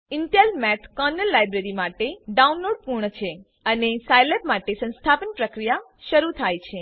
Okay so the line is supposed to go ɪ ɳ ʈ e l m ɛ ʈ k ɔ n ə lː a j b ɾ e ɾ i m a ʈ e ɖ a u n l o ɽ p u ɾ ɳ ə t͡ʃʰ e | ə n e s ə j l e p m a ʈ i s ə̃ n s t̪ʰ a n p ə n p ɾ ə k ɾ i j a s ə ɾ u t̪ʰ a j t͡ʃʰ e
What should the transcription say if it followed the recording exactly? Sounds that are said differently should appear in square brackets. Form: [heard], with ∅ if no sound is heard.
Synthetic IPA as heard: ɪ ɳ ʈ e l m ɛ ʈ k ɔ n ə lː a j b ɾ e ɾ i m a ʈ e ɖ a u n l o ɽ p u ɾ ɳ ə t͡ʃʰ e | ə n e s [a] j l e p m a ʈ [e] s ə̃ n s t̪ʰ a [∅] p ə n p ɾ ə k ɾ i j a [ʃ] ə ɾ u t̪ʰ a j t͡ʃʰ e